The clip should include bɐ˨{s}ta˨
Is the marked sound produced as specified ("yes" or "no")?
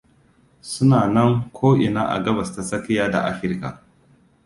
yes